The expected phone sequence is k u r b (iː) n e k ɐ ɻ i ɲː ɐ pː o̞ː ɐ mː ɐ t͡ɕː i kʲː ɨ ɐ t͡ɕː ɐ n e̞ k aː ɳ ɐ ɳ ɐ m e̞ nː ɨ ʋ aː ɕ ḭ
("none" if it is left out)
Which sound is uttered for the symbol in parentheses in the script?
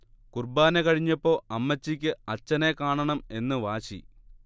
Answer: aː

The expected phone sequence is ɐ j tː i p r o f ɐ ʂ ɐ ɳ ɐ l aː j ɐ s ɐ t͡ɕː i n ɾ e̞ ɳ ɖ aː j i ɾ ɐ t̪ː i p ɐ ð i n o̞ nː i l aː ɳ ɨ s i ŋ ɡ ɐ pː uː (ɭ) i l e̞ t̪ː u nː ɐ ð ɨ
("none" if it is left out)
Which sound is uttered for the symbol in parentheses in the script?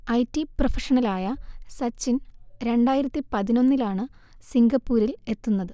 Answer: ɾ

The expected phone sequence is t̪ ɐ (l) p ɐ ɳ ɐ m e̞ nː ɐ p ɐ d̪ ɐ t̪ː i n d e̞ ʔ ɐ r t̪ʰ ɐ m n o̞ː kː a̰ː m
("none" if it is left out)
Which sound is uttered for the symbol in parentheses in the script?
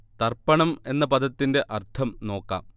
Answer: r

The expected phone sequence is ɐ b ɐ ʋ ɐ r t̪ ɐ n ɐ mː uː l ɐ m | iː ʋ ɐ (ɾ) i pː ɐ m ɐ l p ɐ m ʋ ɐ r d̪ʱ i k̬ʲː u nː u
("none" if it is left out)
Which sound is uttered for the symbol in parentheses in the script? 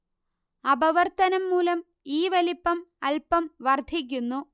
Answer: l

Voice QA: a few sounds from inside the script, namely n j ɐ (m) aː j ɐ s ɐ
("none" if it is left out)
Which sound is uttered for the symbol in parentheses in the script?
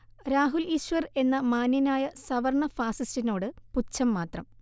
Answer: n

